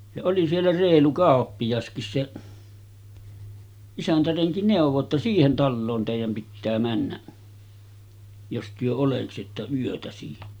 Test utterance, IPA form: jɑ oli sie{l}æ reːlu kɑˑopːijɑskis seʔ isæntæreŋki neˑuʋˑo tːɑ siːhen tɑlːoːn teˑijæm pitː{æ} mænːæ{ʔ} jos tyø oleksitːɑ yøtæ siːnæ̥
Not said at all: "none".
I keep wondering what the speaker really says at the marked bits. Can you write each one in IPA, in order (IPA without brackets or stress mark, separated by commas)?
lː, æː, ʔ